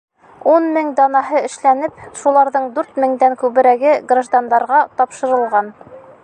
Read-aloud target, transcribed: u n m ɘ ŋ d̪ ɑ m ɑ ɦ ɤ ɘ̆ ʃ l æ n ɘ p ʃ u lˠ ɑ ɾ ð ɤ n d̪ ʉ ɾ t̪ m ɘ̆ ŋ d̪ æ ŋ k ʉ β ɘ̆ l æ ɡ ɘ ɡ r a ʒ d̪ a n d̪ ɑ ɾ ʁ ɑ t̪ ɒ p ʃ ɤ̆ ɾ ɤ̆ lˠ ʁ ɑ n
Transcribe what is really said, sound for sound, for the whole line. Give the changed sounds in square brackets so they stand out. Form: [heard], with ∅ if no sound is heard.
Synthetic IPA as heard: u n m ɘ ŋ d̪ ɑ [n] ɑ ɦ ɤ ɘ̆ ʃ l æ n ɘ p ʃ u lˠ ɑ ɾ ð ɤ [ɴ] d̪ ʉ ɾ t̪ m ɘ̆ ŋ d̪ æ ŋ k ʉ β ɘ̆ [ɾ] æ ɡ ɘ ɡ r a ʒ d̪ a n d̪ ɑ ɾ ʁ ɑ t̪ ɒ p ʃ ɤ̆ ɾ ɤ̆ lˠ ʁ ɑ n

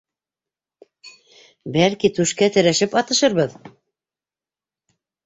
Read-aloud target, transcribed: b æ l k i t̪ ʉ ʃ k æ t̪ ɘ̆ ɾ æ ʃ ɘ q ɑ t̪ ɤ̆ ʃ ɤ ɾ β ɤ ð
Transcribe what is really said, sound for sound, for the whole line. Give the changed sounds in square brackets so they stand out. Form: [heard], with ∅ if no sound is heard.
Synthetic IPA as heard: b æ l k i t̪ ʉ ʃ k æ t̪ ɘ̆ ɾ æ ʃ ɘ [p] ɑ t̪ ɤ̆ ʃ ɤ ɾ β ɤ ð

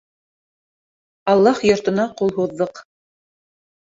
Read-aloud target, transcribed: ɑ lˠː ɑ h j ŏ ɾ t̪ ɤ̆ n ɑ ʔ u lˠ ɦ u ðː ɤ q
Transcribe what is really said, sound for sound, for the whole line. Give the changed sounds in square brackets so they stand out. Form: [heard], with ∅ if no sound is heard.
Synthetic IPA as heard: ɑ lˠː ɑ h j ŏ ɾ t̪ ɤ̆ n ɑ [q] u lˠ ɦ u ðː ɤ q

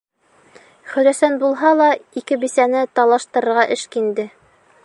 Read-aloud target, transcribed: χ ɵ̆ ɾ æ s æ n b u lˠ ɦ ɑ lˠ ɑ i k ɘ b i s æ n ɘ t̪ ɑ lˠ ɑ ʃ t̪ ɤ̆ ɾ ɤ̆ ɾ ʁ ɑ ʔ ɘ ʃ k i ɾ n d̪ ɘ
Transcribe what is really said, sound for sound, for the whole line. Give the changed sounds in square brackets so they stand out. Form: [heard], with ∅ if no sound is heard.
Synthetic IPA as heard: χ ɵ̆ ɾ æ s æ n b u lˠ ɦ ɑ lˠ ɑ i k ɘ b i s æ n ɘ t̪ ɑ lˠ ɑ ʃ t̪ ɤ̆ ɾ ɤ̆ ɾ ʁ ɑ ʔ ɘ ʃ k i [∅] n d̪ ɘ

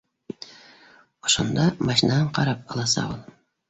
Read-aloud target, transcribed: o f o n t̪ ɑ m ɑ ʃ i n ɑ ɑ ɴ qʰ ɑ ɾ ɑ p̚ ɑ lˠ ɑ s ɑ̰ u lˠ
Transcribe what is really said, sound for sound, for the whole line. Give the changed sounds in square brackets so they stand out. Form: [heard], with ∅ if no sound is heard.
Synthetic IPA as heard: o [ʃ] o n [d̪] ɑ m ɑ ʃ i n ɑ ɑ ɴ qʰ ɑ ɾ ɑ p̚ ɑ lˠ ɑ s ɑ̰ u lˠ

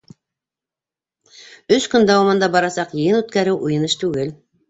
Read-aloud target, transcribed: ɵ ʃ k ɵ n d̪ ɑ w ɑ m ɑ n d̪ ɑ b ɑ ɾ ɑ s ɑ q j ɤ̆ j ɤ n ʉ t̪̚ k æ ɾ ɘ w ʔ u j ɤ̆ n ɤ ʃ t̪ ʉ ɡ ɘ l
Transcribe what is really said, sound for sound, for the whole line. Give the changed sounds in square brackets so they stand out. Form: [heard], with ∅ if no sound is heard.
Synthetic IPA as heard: ɵ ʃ k ɵ n d̪ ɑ w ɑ m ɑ n d̪ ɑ b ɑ ɾ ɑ s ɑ q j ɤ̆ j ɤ n ʉ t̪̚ k æ ɾ ɘ w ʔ u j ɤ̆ n ɤ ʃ t̪ ʉ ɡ ɘ l

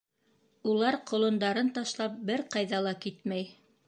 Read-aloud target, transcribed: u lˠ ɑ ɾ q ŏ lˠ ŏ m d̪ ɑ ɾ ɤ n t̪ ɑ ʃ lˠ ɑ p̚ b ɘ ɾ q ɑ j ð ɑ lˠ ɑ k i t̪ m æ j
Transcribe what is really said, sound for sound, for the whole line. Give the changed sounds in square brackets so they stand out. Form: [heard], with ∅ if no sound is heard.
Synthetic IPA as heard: u lˠ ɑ ɾ q ŏ lˠ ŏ [n] d̪ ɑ ɾ ɤ n t̪ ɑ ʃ lˠ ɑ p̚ b ɘ ɾ q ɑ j ð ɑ lˠ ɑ k i t̪ m æ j

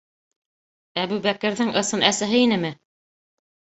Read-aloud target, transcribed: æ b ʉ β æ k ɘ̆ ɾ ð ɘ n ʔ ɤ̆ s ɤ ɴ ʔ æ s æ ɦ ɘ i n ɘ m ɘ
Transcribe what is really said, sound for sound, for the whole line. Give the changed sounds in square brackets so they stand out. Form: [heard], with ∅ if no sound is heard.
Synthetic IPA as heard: æ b ʉ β æ k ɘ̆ ɾ ð ɘ [ŋ] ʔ ɤ̆ s ɤ [n] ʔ æ s æ ɦ ɘ i n ɘ m ɘ

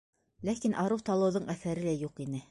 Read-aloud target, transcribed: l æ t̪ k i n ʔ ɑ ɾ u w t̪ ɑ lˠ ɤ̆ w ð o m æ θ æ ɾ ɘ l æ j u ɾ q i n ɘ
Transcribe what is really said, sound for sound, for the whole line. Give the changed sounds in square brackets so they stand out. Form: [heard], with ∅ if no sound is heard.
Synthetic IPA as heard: l æ [∅] k i n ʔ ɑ ɾ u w t̪ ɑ lˠ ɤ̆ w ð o [ɴ] æ θ æ ɾ ɘ l æ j u [∅] q i n ɘ

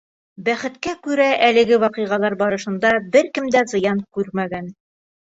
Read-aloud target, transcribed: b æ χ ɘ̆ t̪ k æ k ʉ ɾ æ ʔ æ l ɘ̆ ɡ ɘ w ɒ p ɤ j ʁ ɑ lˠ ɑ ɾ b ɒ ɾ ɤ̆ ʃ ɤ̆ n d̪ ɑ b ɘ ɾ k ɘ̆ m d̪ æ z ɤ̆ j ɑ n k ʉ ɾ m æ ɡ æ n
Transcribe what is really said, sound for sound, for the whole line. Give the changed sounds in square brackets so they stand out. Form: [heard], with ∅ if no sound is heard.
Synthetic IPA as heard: b æ χ ɘ̆ t̪ k æ k ʉ ɾ æ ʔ æ l ɘ̆ ɡ ɘ w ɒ [q] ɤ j ʁ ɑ lˠ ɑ ɾ b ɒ ɾ ɤ̆ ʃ ɤ̆ n d̪ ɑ b ɘ ɾ k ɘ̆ m d̪ æ z ɤ̆ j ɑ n k ʉ ɾ m æ ɡ æ n

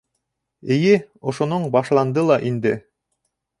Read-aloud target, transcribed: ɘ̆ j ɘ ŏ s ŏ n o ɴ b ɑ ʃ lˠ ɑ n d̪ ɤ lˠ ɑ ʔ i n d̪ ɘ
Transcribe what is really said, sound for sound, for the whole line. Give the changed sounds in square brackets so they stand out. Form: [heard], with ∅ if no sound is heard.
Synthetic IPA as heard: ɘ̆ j ɘ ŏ [ʃ] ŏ n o ɴ b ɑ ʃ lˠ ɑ n d̪ ɤ lˠ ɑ ʔ i n d̪ ɘ

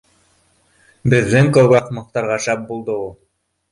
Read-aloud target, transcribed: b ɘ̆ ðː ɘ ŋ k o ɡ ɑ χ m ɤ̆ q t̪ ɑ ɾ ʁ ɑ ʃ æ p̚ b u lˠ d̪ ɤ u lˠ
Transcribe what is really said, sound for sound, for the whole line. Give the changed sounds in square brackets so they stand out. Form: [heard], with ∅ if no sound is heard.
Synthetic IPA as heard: b ɘ̆ ðː ɘ ŋ k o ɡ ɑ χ m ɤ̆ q t̪ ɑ ɾ ʁ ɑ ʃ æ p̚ b u lˠ d̪ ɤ u lˠ

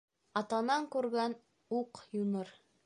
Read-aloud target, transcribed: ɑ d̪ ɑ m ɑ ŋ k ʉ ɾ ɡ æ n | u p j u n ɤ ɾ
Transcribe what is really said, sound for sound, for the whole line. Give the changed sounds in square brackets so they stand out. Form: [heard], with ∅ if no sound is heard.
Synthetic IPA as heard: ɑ [t̪] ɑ [n] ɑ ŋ k ʉ ɾ ɡ æ n | u [q] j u n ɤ ɾ

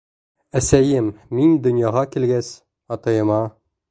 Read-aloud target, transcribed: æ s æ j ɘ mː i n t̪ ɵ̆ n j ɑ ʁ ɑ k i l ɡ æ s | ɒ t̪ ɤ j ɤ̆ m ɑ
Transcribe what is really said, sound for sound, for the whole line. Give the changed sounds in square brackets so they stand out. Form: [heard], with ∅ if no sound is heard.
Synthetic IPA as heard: æ s æ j ɘ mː i n [d̪] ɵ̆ n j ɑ ʁ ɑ k i l ɡ æ s | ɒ t̪ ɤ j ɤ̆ m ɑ

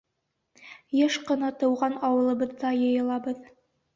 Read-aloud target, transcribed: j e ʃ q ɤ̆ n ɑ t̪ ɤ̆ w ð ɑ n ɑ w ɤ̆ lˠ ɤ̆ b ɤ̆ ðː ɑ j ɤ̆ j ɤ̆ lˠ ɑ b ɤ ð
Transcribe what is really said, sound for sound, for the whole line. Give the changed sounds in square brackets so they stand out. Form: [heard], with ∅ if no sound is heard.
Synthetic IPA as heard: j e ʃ q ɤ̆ n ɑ t̪ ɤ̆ w [ʁ] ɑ n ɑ w ɤ̆ lˠ ɤ̆ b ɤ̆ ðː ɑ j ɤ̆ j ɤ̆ lˠ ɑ b ɤ ð

